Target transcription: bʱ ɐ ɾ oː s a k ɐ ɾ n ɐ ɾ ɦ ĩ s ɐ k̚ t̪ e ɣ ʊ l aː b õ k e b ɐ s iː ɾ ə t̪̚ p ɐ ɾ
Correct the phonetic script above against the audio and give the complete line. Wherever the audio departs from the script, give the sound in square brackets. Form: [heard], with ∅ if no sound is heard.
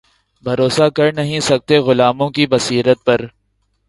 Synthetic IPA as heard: bʱ ɐ ɾ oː s a k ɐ ɾ n ɐ [∅] ɦ ĩ s ɐ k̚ t̪ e ɣ ʊ l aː [m] õ k [i] b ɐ s iː ɾ ə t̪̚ p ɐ ɾ